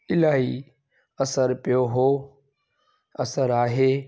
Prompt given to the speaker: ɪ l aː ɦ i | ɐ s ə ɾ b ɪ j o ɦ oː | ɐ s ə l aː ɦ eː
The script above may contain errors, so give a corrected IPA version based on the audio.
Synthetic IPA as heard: ɪ l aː ɦ i | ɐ s ə ɾ p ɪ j o ɦ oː | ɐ s ə ɾ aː ɦ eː